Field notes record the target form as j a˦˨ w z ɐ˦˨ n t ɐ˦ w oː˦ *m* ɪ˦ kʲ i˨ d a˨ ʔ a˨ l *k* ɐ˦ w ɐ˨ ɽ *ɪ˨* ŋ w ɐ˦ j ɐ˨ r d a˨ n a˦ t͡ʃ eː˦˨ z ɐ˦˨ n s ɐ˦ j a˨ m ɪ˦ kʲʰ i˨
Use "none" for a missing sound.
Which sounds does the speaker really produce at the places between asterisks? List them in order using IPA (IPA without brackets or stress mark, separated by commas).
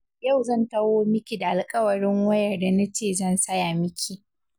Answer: m, kʼ, ɪ˦